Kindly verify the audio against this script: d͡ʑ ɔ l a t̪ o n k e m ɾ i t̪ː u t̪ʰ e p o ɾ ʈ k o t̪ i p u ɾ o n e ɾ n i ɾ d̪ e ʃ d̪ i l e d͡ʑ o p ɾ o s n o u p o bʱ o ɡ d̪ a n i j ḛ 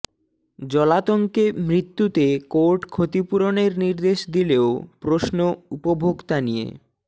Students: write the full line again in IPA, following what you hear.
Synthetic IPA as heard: d͡ʑ ɔ l a t̪ o ŋ k e m ɾ i t̪ː u t̪ e k o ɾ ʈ kʰ o t̪ i p u ɾ o n e ɾ n i ɾ d̪ e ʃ d̪ i l e o p ɾ o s n o u p o bʱ o ɡ t̪ a n i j ḛ

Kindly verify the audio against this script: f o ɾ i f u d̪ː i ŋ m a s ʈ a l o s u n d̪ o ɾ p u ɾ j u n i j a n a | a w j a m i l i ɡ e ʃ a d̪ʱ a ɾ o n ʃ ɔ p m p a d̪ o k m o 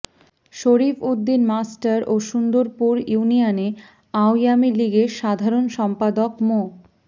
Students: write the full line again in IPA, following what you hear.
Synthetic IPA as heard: ʃ o ɾ i f u d̪ː i n m a s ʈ a ɾ o ʃ u n d̪ o ɾ p u ɾ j u n i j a n e | a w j a m i l i ɡ e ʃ a d̪ʱ a ɾ o n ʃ ɔ m p a d̪ o k m o

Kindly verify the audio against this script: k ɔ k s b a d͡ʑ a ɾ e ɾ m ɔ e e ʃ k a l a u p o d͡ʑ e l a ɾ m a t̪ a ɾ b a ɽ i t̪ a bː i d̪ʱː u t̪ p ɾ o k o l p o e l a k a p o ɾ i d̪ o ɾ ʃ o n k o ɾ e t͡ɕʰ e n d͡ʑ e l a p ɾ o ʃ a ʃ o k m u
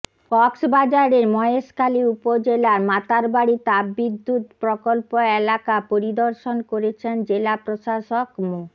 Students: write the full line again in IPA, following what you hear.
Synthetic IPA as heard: k ɔ k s b a d͡ʑ a ɾ e ɾ m ɔ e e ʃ k a l i u p o d͡ʑ e l a ɾ m a t̪ a ɾ b a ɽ i t̪ a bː i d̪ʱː u t̪ p ɾ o k o l p o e l a k a p o ɾ i d̪ o ɾ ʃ o n k o ɾ e t͡ɕʰ e n d͡ʑ e l a p ɾ o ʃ a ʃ o k m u

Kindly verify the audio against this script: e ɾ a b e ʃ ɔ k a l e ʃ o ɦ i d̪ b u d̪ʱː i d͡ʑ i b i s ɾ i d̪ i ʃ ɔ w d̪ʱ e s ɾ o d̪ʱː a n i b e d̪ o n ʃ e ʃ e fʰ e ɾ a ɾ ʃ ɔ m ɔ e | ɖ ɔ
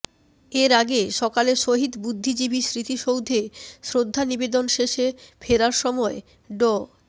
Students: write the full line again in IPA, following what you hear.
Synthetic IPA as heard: e ɾ a ɡ e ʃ ɔ k a l e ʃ o ɦ i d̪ b u d̪ʱː i d͡ʑ i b i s ɾ i t̪ i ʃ o w d̪ʱ e s ɾ o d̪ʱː a n i b e d̪ o n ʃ e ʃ e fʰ e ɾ a ɾ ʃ ɔ m ɔ e | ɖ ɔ

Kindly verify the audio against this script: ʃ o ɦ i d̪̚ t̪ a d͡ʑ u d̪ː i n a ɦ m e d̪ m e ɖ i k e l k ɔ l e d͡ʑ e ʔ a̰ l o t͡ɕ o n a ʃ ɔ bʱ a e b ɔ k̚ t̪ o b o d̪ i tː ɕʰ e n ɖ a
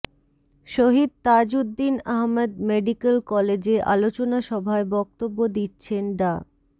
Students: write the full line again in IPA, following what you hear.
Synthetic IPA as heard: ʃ o ɦ i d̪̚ t̪ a d͡ʑ u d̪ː i n a ɦ m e d̪ m e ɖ i k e l k ɔ l e d͡ʑ e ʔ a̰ l o t͡ɕ o n a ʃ ɔ bʱ a e b ɔ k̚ t̪ o bː o d̪ i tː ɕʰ e n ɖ a

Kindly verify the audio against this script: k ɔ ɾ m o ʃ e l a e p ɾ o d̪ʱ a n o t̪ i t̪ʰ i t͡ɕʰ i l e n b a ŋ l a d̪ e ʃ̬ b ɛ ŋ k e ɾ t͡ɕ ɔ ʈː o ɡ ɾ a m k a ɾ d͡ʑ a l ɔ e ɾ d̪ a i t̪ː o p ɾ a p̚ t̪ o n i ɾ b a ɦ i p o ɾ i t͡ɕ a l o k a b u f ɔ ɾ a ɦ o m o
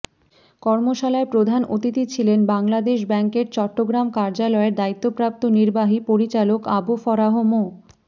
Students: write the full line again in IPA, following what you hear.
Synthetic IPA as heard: k ɔ ɾ m o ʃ a l a e p ɾ o d̪ʱ a n o t̪ i t̪ i t͡ɕʰ i l e n b a ŋ l a d̪ e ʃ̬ b ɛ ŋ k e ɾ t͡ɕ ɔ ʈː o ɡ ɾ a m k a ɾ d͡ʑ a l ɔ e ɾ d̪ a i t̪ː o p ɾ a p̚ t̪ o n i ɾ b a ɦ i p o ɾ i t͡ɕ a l o k a b u f ɔ ɾ a ɦ o m o

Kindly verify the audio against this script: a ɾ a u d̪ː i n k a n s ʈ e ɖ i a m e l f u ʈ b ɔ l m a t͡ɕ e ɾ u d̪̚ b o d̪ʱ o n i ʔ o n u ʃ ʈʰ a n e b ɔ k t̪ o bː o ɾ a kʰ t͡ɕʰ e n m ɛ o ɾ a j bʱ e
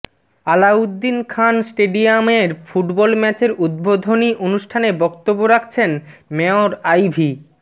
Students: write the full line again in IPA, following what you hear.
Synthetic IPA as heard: a l a u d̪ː i n kʰ a n s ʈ e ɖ i a m e ɾ f u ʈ b ɔ l m ɛ t͡ɕ e ɾ u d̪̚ b o d̪ʱ o n i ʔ o n u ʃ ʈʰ a n e b ɔ k t̪ o bː o ɾ a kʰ t͡ɕʰ e n m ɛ o ɾ a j bʱ i

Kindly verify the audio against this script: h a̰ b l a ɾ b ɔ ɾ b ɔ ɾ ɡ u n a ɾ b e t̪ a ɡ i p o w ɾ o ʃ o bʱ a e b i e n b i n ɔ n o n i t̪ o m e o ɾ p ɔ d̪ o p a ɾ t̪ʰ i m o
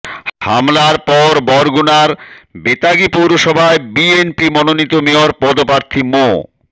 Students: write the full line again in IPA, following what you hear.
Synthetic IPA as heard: h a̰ m l a ɾ p ɔ ɾ b ɔ ɾ ɡ u n a ɾ b e t̪ a ɡ i p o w ɾ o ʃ ɔ bʱ a e b i e n p i m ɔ n o n i t̪ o m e o ɾ p ɔ d̪ o p a ɾ t̪ʰ i m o

